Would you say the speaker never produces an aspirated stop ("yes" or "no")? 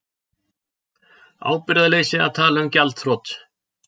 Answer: no